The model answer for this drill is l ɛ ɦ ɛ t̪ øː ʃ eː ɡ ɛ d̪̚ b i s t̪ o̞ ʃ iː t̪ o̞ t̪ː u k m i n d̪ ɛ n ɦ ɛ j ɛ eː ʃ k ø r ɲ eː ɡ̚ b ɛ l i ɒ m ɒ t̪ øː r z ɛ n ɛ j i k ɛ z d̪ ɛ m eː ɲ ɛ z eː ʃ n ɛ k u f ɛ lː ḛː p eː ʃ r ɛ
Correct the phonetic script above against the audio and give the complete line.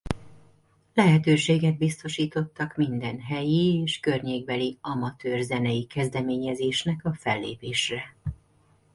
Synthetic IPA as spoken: l ɛ ɦ ɛ t̪ øː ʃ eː ɡ ɛ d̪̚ b i s t̪ o̞ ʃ iː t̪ o̞ t̪ː ɒ k m i n d̪ ɛ n ɦ ɛ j i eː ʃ k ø r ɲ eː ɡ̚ b ɛ l i ɒ m ɒ t̪ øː r z ɛ n ɛ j i k ɛ z d̪ ɛ m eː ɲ ɛ z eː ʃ n ɛ k ɒ f ɛ lː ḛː p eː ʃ r ɛ